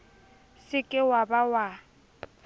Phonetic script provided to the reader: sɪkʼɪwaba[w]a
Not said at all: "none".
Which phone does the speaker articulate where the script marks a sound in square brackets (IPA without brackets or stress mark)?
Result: w